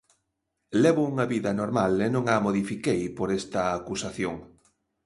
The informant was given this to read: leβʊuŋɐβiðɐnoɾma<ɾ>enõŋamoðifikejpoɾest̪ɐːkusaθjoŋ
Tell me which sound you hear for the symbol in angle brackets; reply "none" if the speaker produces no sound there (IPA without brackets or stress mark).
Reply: l